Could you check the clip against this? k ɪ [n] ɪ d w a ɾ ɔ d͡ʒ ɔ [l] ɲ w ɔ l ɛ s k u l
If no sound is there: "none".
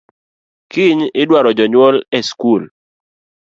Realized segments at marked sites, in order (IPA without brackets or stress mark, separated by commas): ɲ, none